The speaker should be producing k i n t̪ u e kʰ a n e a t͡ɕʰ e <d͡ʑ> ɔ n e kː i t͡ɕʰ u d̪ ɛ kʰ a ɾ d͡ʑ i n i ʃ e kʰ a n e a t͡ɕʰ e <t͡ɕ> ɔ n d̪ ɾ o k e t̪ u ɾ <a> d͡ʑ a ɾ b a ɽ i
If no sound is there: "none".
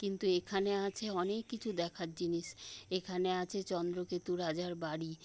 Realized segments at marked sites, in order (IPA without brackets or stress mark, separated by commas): none, t͡ɕ, a